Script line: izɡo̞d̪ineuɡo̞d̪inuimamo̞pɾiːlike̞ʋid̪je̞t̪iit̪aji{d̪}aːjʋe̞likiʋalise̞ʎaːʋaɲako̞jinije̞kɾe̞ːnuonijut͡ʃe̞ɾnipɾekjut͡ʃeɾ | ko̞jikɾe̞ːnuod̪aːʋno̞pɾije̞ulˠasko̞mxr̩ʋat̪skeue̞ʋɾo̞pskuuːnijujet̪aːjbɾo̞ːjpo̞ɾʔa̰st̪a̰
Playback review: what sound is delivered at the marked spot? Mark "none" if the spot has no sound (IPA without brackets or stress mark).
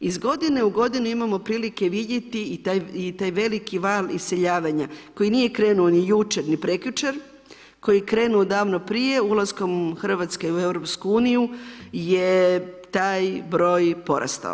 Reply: t̪